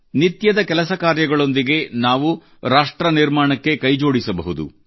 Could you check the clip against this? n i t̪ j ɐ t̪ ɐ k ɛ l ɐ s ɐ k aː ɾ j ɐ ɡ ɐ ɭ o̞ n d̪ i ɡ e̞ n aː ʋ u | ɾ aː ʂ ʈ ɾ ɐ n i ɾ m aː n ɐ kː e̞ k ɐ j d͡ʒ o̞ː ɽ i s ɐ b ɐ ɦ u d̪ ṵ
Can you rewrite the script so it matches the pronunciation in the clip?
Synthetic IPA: n i t̪ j ɐ d̪ ɐ k ɛ l ɐ s ɐ k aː ɾ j ɐ ɡ ɐ ɭ o̞ n d̪ i ɡ e̞ n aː ʋ u | ɾ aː ʂ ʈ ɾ ɐ n i ɾ m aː ɳ ɐ kː e̞ k ɐ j d͡ʒ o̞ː ɽ i s ɐ b ɐ ɦ u d̪ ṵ

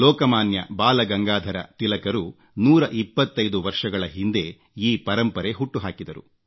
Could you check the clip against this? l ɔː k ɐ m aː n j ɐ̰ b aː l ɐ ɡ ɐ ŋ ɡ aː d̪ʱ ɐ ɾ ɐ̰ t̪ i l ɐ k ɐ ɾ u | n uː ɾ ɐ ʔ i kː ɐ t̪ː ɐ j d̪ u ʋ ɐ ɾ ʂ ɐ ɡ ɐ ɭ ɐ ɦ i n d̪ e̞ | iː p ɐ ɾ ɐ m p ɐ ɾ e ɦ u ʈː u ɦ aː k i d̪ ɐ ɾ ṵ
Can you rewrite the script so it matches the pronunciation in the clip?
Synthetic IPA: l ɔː k ɐ m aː n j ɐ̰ b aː l ɐ ɡ ɐ ŋ ɡ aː d̪ʱ ɐ ɾ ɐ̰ t̪ i l ɐ k ɐ ɾ u | n uː ɾ ɐ ʔ i pː ɐ t̪ː ɐ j d̪ u ʋ ɐ ɾ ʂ ɐ ɡ ɐ ɭ ɐ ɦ i n d̪ e̞ | iː p ɐ ɾ ɐ m p ɐ ɾ e ɦ u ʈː u ɦ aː k i d̪ ɐ ɾ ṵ

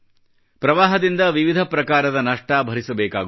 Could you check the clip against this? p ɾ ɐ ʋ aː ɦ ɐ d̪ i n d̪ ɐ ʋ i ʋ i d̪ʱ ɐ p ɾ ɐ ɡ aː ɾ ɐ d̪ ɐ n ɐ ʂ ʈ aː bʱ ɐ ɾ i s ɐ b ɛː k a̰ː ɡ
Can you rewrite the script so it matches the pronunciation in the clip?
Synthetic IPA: p ɾ ɐ ʋ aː ɦ ɐ d̪ i n d̪ ɐ ʋ i ʋ i d̪ʱ ɐ p ɾ ɐ k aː ɾ ɐ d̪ ɐ n ɐ ʂ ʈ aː bʱ ɐ ɾ i s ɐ b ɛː k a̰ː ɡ

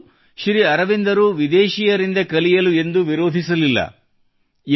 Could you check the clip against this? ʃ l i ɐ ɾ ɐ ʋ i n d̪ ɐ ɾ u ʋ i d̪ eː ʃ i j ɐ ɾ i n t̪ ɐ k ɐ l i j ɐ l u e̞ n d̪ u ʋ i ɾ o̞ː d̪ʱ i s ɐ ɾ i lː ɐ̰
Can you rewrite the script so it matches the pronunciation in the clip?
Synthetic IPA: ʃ ɾ i ɐ ɾ ɐ ʋ i n d̪ ɐ ɾ u ʋ i d̪ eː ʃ i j ɐ ɾ i n d̪ ɐ k ɐ l i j ɐ l u e̞ n d̪ u ʋ i ɾ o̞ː d̪ʱ i s ɐ l i lː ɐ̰

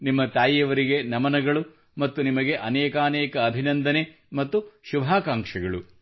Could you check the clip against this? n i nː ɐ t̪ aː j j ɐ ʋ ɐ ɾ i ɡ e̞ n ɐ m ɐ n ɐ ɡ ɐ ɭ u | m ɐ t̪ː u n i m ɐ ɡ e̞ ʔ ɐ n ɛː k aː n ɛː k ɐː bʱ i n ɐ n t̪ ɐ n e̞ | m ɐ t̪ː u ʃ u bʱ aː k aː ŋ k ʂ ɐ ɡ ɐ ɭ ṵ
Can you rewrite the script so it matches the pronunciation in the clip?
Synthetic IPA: n i mː ɐ t̪ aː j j ɐ ʋ ɐ ɾ i ɡ e̞ n ɐ m ɐ n ɐ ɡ ɐ ɭ u | m ɐ t̪ː u n i m ɐ ɡ e̞ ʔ ɐ n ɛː k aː n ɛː k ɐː bʱ i n ɐ n d̪ ɐ n e̞ | m ɐ t̪ː u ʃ u bʱ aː k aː ŋ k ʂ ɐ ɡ ɐ ɭ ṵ

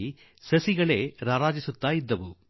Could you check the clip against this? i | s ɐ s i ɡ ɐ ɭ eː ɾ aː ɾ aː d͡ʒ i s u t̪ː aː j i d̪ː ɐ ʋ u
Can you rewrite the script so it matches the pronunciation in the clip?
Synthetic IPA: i | s ɐ s i ɡ ɐ ɭ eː ɾ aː ɾ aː d͡ʒ i s u t̪ː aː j i d̪ː ɐ ʋ u

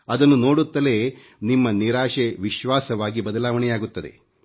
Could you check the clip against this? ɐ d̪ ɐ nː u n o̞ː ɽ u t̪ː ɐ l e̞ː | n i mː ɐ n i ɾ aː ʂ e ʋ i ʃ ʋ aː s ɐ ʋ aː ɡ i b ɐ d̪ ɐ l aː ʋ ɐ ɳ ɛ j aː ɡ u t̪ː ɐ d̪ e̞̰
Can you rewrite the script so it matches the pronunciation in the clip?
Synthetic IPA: ɐ d̪ ɐ nː u n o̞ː ɽ u t̪ː ɐ l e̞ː | n i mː ɐ n i ɾ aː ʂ e ʋ i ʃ ʋ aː s ɐ ʋ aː ɡ i b ɐ d̪ ɐ l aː ʋ ɐ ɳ ɛ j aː ɡ u t̪ː ɐ d̪ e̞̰

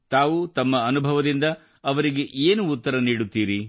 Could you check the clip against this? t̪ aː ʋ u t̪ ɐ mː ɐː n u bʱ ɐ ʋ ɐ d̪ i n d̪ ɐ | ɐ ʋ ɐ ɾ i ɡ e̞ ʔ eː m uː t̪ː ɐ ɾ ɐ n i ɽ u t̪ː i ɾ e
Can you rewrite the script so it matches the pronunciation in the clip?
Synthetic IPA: t̪ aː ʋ u t̪ ɐ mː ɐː n u bʱ ɐ ʋ ɐ d̪ i n d̪ ɐ | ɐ ʋ ɐ ɾ i ɡ e̞ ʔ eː n uː t̪ː ɐ ɾ ɐ n iː ɽ u t̪ː iː ɾ i

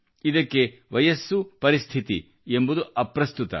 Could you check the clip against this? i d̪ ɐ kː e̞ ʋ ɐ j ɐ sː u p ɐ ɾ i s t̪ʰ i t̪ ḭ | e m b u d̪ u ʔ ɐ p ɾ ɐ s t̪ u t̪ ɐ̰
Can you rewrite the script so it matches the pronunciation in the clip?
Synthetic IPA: i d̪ ɐ kː e̞ ʋ ɐ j ɐ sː u p ɐ ɾ i s t̪ʰ i t̪ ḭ | e m b u d̪ u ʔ ɐ p ɾ ɐ s t̪ u t̪ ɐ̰

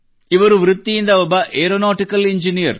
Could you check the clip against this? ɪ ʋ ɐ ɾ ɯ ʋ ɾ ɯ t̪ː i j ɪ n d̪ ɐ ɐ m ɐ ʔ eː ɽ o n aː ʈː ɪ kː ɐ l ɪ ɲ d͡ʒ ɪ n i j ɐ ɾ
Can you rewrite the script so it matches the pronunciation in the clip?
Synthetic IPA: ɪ ʋ ɐ ɾ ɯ ʋ ɾ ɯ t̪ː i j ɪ n d̪ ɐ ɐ b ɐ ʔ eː ɾ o n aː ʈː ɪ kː ɐ l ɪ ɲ d͡ʒ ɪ n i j ɐ ɾ

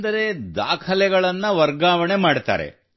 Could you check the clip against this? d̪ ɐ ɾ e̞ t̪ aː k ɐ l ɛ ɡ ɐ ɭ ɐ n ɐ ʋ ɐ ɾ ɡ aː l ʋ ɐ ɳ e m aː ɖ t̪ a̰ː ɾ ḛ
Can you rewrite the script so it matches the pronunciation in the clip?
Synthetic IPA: d̪ ɐ ɾ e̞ d̪ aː kʰ ɐ l ɛ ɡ ɐ ɭ ɐ nː ɐ ʋ ɐ ɾ ɡ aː ʋ ɐ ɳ e m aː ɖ t̪ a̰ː ɾ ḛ

